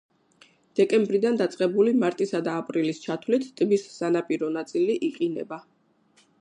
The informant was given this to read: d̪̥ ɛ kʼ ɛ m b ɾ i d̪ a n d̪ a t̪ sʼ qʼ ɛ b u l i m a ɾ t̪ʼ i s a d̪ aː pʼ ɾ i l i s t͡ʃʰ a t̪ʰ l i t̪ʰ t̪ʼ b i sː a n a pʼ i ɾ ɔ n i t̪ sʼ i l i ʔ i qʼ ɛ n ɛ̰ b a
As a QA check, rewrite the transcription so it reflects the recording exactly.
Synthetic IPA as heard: d̪̥ ɛ kʼ ɛ m b ɾ i d̪ a n d̪ a t̪ sʼ qʼ ɛ b u l i m a ɾ t̪ʼ i s a d̪ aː pʼ ɾ i l i s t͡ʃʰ a t̪ʰ l i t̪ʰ t̪ʼ b i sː a n a pʼ i ɾ ɔ n a t̪ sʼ i l i ʔ i qʼ i n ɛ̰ b a